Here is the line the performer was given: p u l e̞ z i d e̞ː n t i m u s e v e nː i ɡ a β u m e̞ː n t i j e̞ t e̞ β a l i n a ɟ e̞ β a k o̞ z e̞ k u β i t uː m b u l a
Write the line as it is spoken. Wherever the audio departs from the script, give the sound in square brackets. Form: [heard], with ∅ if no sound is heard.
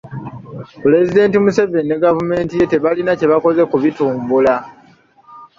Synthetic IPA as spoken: p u l e̞ z i d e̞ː n t i m u s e v e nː [e] ɡ a [v] u m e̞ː n t i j e̞ t e̞ β a l i n a [c] e̞ β a k o̞ z e̞ k u β i t uː m b u l a